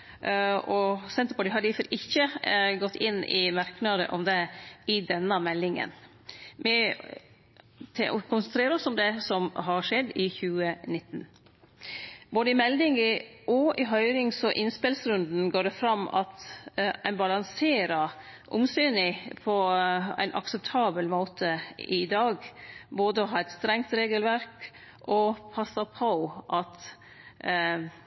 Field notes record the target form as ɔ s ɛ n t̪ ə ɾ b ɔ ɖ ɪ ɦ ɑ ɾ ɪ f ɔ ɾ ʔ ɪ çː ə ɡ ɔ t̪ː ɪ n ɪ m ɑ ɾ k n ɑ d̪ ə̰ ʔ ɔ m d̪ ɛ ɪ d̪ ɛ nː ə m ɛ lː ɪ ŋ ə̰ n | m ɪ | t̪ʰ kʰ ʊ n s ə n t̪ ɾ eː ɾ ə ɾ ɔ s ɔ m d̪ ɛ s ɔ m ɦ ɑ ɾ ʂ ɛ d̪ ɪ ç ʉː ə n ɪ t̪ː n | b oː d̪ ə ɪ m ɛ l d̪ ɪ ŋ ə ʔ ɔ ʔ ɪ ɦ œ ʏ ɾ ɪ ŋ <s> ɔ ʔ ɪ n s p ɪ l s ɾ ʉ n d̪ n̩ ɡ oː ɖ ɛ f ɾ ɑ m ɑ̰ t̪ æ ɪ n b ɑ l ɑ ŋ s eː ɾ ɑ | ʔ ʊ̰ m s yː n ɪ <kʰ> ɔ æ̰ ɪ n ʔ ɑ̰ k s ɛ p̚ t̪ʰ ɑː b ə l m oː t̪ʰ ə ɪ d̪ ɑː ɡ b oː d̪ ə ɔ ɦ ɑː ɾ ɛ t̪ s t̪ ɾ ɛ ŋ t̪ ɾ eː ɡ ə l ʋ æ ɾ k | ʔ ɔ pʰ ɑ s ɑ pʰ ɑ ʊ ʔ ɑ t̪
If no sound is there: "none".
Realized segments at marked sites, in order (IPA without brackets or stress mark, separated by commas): s, pʰ